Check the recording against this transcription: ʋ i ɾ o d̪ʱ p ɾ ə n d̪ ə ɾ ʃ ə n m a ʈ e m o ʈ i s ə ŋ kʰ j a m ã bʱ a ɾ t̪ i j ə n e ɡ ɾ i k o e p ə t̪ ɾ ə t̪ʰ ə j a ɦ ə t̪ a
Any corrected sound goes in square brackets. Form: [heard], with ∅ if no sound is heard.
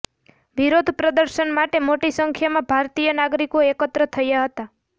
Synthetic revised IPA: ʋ i ɾ o d̪ʱ p ɾ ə [∅] d̪ ə ɾ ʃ ə n m a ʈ e m o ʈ i s ə ŋ kʰ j a m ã bʱ a ɾ t̪ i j ə n [a] ɡ ɾ i k o e [k] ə t̪ ɾ ə t̪ʰ ə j a ɦ ə t̪ a